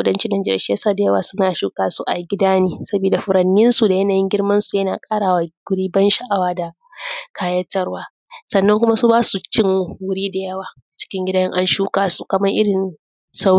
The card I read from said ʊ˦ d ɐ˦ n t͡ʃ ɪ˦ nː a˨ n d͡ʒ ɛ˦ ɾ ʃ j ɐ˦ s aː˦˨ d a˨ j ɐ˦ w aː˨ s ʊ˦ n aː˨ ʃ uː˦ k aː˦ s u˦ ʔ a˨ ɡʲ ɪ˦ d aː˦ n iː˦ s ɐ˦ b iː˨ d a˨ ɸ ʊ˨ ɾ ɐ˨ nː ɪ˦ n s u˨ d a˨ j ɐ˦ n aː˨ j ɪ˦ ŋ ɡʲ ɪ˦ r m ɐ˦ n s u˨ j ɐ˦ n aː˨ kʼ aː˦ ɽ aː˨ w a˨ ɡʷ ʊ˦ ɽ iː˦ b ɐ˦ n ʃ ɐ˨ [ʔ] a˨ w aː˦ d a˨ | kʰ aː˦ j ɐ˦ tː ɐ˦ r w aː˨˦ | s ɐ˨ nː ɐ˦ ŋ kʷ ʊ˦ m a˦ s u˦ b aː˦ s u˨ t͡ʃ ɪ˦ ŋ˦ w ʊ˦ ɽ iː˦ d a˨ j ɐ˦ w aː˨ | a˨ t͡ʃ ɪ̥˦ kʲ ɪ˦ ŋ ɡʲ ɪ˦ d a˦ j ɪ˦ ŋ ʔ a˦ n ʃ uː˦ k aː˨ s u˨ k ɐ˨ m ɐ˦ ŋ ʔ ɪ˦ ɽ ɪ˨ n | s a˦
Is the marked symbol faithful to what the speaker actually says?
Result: yes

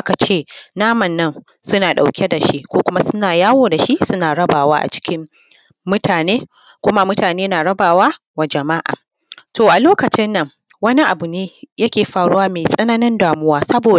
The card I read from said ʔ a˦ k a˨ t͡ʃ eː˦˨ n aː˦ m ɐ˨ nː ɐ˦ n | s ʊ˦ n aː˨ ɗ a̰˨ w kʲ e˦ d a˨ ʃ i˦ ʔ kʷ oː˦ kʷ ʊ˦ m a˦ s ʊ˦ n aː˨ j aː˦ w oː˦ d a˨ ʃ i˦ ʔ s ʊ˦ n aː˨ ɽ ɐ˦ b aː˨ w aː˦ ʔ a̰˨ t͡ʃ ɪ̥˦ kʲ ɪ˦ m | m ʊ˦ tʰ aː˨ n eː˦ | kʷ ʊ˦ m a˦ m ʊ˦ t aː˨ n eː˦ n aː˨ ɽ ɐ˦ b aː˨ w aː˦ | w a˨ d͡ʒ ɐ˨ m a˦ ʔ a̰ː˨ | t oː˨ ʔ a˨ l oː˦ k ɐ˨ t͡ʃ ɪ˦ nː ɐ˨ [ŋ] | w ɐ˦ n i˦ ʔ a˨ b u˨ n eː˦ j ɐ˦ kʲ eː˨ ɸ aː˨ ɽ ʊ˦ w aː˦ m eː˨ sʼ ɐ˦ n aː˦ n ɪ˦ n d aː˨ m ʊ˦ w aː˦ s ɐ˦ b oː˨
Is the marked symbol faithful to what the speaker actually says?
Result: yes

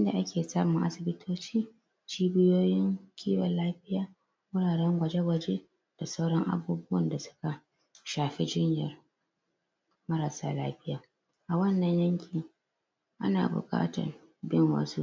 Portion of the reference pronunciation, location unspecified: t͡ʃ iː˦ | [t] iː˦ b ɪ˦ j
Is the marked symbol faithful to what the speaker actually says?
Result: no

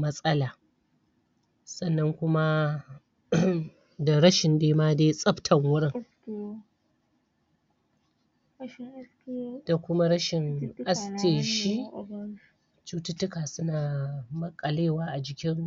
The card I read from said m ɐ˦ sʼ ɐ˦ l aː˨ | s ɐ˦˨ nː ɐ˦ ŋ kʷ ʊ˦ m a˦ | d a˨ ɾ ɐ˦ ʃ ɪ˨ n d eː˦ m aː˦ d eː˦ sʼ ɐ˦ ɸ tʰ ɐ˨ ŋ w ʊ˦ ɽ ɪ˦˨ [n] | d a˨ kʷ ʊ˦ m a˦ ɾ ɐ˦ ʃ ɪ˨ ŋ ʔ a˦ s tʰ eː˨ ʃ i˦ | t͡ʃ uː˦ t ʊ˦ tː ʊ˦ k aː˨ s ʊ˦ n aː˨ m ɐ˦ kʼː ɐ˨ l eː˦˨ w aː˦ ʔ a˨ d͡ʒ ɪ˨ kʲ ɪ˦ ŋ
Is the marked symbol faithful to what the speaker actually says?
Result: no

